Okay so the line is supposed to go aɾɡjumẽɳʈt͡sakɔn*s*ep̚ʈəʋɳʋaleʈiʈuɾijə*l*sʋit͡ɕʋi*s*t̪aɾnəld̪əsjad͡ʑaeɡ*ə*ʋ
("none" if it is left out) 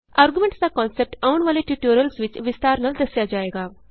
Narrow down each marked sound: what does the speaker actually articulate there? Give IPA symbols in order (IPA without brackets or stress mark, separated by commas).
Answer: s, l, s, a